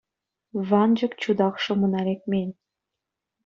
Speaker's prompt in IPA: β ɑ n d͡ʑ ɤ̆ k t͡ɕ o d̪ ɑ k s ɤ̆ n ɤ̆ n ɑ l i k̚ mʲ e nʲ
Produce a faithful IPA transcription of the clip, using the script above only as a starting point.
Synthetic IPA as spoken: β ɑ n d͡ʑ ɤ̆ k t͡ɕ u d̪ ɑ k ʃ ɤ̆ m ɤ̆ n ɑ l e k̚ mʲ e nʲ